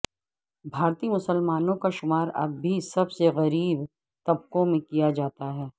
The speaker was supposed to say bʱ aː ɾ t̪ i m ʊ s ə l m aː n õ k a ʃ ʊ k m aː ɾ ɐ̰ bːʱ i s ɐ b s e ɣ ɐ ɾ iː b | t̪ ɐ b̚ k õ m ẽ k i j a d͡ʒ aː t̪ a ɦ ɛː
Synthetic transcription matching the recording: bʱ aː ɾ t̪ i m ʊ s ə l m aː n õ k a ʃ ʊ m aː ɾ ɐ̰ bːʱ i s ɐ b s e ɣ ɐ ɾ iː b | t̪ ɐ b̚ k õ m ẽ k i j a d͡ʒ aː t̪ a ɦ ɛː